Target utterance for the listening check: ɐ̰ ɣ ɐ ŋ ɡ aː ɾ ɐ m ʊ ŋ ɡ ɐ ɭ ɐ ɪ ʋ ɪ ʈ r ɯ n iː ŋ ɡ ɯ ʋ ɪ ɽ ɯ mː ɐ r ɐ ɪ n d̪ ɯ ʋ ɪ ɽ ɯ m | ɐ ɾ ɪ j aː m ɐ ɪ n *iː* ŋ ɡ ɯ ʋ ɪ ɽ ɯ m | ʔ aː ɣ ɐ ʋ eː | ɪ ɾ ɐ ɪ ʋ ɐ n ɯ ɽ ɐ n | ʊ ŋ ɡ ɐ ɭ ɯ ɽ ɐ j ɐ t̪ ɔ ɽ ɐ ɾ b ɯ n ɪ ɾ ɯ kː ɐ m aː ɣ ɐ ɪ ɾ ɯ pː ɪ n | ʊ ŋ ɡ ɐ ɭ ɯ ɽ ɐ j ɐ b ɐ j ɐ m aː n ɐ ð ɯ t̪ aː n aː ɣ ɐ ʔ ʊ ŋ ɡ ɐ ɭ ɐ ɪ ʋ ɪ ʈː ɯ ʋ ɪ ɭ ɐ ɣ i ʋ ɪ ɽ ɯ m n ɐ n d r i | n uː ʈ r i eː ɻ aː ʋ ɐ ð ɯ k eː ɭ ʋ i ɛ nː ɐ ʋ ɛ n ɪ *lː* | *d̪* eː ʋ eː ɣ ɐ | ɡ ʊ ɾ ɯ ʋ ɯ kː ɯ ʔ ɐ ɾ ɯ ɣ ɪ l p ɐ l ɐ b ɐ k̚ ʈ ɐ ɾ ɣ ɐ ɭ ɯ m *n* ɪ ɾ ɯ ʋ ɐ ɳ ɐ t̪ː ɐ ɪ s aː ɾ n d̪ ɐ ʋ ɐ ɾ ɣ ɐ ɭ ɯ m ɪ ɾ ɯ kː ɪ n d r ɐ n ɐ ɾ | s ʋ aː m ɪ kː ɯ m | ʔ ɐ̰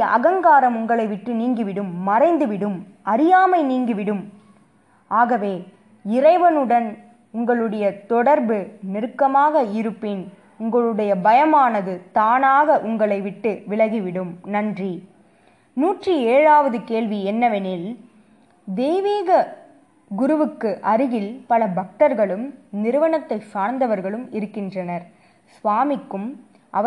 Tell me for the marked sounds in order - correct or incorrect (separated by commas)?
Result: correct, incorrect, correct, correct